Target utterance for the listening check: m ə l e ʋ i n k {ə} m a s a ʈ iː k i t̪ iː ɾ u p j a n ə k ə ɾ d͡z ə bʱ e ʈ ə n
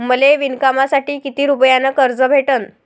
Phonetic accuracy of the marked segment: incorrect: a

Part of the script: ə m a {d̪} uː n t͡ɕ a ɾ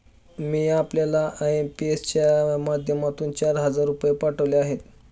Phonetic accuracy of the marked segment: incorrect: t̪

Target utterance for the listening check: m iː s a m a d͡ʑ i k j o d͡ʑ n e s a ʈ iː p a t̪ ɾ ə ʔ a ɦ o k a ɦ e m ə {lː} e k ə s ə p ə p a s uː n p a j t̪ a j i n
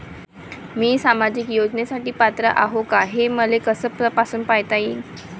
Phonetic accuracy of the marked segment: incorrect: l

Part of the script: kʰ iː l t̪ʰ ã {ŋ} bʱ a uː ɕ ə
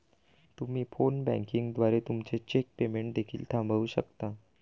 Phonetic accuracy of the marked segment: incorrect: m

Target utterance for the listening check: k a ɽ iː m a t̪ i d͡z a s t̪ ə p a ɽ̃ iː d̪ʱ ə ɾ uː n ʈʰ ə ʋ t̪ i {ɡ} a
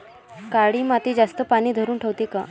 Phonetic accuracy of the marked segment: incorrect: k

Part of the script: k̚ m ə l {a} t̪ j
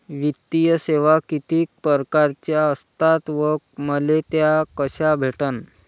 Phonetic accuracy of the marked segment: incorrect: e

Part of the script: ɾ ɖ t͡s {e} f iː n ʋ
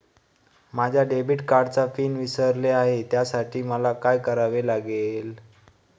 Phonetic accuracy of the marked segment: incorrect: a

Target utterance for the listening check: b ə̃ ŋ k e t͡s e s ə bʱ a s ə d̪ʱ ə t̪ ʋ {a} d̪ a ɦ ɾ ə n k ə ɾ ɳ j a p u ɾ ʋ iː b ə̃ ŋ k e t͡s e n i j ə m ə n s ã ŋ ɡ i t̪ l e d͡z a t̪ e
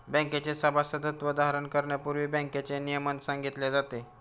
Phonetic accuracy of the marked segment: incorrect: ə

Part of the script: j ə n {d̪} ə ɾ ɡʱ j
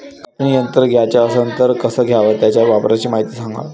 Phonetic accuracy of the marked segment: incorrect: t̪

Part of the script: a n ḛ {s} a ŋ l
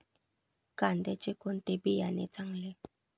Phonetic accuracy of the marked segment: incorrect: t͡s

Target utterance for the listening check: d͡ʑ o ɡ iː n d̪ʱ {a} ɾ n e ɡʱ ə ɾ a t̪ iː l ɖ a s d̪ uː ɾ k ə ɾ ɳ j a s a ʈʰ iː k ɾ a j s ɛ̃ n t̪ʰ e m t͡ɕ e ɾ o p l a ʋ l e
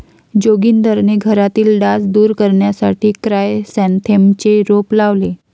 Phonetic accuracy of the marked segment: incorrect: ə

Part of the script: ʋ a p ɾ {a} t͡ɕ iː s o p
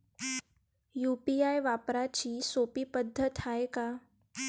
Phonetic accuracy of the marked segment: correct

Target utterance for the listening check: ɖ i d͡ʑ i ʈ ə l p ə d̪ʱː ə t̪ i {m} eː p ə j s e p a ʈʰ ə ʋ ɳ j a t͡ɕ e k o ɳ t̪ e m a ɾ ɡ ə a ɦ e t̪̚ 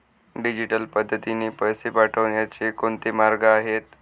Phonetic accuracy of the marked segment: incorrect: n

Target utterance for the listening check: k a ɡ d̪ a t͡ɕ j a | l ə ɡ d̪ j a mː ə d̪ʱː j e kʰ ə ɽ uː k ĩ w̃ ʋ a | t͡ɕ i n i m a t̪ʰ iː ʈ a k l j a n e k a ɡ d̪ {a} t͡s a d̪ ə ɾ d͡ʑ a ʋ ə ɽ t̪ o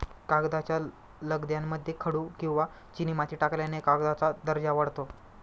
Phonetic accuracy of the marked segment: correct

